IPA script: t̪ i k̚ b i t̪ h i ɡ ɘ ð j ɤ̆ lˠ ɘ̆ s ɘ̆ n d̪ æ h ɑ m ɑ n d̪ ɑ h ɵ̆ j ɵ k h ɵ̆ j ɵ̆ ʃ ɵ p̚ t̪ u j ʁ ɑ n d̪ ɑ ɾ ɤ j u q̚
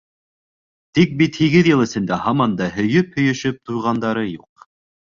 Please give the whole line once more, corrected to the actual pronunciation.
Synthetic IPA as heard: t̪ i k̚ b i t̪ h i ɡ ɘ ð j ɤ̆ lˠ ɘ̆ s ɘ̆ n d̪ æ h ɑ m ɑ n d̪ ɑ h ɵ̆ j ɵ p h ɵ̆ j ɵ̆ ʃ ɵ p̚ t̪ u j ʁ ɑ n d̪ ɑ ɾ ɤ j u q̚